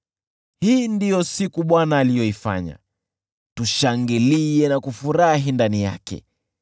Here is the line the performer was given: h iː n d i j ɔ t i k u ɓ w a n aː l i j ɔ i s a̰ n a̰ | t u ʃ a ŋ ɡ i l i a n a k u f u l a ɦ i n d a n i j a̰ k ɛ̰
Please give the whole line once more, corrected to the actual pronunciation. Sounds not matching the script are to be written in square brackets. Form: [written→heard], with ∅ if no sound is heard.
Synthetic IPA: h iː n d i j ɔ [t→s] i k u ɓ w a n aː l i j ɔ i [s→f] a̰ [n→ɲ] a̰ | t u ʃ a ŋ ɡ i l i [a→ɛ] n a k u f u [l→ɾ] a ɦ i n d a n i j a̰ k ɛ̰